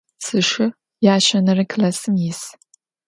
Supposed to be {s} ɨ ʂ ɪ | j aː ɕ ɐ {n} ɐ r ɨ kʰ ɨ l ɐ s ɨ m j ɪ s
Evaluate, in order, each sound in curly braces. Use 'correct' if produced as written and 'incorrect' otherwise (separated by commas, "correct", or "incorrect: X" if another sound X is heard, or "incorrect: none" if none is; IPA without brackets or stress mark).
correct, correct